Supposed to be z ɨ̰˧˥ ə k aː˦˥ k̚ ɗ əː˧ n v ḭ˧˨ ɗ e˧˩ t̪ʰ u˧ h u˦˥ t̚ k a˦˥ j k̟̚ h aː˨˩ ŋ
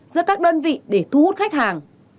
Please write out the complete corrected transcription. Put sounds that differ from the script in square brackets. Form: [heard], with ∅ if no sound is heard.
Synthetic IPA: z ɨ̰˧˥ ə k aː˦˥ k̚ ɗ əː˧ n v ḭ˧˨ ɗ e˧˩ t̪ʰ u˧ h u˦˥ t̚ [x] a˦˥ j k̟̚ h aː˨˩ ŋ